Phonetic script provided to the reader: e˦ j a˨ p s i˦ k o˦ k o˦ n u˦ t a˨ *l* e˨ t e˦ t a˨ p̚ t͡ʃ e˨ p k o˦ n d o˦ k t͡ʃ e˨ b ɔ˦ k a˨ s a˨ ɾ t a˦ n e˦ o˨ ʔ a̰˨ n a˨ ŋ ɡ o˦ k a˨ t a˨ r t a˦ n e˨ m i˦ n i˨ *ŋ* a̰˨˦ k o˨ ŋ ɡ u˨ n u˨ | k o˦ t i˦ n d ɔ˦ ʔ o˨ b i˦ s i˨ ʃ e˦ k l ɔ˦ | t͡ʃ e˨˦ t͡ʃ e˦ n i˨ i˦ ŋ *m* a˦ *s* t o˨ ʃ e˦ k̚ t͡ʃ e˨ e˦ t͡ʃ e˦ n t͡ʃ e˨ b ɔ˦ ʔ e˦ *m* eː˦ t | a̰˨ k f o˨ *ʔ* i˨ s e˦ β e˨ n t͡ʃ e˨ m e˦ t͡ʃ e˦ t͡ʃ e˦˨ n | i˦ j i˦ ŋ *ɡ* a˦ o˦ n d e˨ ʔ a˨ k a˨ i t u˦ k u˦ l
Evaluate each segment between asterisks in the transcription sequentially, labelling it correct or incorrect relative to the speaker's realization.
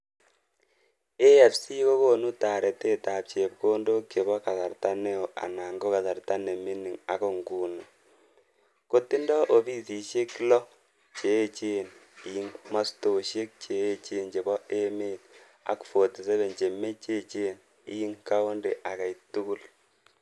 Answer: incorrect: ɾ, correct, correct, correct, correct, incorrect: t, incorrect: k

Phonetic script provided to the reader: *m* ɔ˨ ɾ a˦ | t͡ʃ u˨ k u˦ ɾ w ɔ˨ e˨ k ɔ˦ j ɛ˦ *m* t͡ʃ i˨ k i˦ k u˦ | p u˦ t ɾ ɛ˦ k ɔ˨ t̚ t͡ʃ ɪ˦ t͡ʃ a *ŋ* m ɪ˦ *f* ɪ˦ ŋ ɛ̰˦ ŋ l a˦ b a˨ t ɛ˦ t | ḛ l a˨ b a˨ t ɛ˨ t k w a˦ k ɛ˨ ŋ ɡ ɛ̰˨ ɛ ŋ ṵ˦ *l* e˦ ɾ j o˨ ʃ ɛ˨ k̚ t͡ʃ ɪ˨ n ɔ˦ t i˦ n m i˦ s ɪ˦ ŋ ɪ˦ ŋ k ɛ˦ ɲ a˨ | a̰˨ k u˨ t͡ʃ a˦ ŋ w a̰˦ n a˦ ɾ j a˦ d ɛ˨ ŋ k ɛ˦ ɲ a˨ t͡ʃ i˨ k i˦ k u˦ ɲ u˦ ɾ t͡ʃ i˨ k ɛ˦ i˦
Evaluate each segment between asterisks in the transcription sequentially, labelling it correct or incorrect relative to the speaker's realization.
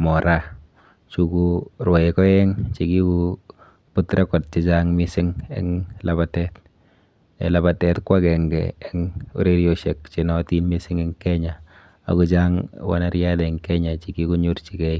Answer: correct, incorrect: ŋ, correct, incorrect: s, incorrect: ɾ

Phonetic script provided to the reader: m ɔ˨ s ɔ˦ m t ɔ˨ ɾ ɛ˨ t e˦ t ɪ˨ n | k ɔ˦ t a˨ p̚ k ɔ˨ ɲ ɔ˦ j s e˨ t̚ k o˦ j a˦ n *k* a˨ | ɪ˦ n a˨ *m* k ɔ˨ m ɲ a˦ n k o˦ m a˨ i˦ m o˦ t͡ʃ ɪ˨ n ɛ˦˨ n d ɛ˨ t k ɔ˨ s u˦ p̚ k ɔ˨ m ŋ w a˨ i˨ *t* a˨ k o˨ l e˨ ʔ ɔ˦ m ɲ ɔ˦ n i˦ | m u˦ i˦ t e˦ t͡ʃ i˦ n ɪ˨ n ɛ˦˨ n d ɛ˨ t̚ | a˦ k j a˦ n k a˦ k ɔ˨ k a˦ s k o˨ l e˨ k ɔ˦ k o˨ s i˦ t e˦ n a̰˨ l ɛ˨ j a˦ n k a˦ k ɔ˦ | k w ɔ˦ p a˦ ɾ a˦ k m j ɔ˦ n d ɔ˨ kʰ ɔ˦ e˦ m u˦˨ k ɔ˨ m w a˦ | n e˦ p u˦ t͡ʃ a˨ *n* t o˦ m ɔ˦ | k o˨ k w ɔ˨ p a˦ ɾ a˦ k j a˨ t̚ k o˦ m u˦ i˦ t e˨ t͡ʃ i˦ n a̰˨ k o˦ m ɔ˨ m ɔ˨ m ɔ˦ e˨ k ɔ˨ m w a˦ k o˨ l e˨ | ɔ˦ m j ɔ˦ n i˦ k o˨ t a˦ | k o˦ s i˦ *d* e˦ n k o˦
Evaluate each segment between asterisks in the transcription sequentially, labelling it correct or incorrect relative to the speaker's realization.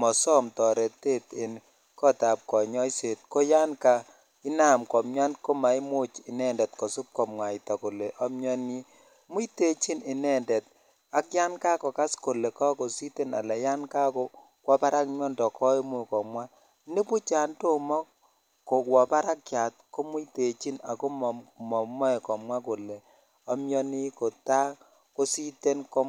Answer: correct, correct, correct, correct, incorrect: t

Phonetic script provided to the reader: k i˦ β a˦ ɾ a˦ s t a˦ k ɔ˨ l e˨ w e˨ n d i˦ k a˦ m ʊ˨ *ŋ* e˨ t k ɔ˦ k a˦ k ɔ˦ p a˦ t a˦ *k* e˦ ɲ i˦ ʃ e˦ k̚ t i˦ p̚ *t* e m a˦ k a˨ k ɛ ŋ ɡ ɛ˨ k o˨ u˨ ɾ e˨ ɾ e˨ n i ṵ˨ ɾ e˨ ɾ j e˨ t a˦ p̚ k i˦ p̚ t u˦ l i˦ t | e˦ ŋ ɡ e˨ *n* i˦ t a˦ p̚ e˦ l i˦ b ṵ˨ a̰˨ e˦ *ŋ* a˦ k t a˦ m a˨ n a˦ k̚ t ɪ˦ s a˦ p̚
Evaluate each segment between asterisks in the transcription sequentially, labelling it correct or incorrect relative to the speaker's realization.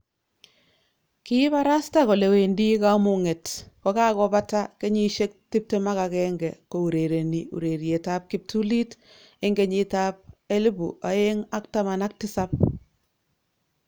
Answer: correct, correct, correct, incorrect: ɲ, correct

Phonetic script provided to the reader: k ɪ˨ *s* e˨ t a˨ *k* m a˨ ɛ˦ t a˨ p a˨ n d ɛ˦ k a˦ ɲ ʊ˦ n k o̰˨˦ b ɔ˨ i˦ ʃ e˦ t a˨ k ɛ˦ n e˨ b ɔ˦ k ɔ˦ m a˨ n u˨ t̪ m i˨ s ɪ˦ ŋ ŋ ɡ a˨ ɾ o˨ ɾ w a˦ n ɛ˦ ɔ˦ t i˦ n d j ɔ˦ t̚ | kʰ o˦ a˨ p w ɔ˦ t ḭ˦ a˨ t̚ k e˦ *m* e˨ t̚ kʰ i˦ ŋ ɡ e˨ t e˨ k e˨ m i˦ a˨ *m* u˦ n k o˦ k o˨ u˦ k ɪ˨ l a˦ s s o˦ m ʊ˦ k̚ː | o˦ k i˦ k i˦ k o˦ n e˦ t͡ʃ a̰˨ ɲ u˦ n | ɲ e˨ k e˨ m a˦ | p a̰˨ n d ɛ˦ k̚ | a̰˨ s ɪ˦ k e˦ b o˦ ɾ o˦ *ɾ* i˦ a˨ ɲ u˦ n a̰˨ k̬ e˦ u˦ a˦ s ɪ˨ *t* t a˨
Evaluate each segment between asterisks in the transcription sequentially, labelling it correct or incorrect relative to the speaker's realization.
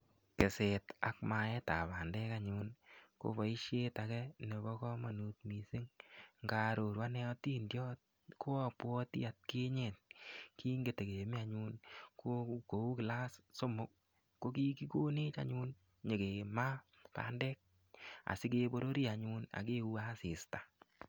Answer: correct, correct, incorrect: ɲ, incorrect: ɲ, correct, incorrect: s

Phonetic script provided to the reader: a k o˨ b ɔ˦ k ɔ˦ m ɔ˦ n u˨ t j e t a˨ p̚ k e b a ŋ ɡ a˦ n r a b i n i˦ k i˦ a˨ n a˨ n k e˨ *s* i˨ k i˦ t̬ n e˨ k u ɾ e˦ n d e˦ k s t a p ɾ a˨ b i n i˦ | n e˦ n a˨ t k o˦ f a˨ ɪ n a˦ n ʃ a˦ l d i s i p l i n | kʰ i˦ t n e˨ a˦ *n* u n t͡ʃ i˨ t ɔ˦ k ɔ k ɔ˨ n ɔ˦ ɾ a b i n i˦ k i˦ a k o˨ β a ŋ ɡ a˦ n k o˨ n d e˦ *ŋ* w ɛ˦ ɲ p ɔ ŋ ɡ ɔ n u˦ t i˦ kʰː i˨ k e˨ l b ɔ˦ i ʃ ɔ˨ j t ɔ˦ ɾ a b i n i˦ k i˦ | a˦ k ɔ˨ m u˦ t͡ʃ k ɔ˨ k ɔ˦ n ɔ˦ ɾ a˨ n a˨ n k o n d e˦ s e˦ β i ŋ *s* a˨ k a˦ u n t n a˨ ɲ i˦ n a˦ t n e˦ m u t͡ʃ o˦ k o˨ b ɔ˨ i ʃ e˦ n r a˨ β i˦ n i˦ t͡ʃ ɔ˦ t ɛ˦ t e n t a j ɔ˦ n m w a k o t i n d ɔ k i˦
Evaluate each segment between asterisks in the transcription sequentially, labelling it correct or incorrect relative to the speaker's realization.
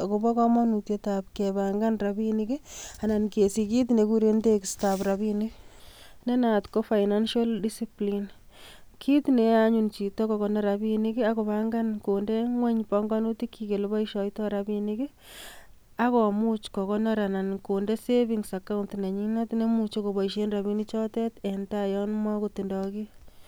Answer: correct, incorrect: ɲ, correct, correct

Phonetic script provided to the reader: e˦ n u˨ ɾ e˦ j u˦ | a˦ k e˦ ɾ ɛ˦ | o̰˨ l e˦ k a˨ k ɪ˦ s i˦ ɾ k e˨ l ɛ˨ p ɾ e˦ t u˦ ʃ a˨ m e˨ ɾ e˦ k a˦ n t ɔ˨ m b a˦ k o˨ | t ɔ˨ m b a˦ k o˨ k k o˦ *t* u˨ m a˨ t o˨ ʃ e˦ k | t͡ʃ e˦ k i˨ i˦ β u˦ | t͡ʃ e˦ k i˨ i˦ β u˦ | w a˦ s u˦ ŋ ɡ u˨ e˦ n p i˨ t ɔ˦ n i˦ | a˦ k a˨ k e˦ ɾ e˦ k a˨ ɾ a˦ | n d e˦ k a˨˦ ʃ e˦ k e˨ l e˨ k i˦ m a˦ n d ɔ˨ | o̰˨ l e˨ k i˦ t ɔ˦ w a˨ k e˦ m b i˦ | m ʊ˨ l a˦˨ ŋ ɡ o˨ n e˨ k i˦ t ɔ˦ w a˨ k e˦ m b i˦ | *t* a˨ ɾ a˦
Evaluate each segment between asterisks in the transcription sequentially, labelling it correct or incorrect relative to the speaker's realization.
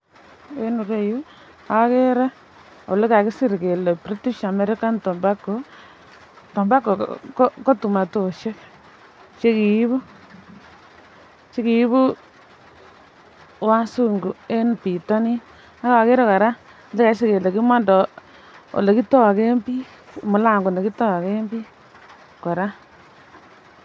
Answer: correct, incorrect: k

